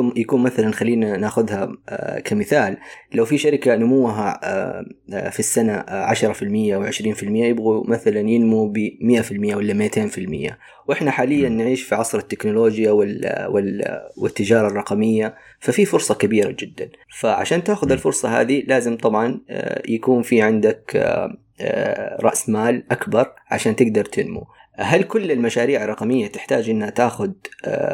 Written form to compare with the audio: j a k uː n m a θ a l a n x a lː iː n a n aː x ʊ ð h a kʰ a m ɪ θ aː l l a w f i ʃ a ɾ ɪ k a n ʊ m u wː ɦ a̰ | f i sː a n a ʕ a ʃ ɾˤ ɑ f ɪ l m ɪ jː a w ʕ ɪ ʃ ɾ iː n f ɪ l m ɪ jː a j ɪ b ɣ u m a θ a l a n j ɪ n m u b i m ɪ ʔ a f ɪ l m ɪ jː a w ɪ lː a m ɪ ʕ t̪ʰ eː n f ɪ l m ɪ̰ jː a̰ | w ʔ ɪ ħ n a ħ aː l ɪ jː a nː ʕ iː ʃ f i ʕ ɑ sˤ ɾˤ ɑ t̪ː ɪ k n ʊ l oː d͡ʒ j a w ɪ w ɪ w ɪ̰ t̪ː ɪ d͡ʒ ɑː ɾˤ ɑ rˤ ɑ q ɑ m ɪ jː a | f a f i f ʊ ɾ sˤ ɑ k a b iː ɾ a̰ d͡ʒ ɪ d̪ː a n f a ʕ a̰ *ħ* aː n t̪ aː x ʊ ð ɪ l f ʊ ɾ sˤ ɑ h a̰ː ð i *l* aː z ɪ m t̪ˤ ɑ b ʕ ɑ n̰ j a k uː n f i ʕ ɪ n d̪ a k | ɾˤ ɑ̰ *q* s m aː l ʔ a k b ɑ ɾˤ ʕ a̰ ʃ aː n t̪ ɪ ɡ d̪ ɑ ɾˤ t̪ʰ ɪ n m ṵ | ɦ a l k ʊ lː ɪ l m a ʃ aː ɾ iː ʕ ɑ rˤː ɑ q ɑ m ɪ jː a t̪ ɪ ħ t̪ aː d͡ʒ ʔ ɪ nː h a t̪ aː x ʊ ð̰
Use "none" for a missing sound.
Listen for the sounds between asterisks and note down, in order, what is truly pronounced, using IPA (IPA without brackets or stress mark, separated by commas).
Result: ʃ, l, ʔ